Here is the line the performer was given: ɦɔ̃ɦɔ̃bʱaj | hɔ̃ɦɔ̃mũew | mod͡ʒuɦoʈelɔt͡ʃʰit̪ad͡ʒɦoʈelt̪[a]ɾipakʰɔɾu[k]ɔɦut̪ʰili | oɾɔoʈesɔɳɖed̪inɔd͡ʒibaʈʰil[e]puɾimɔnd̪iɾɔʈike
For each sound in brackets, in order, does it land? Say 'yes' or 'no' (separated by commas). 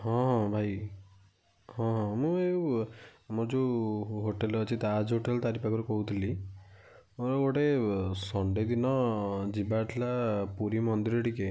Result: yes, yes, no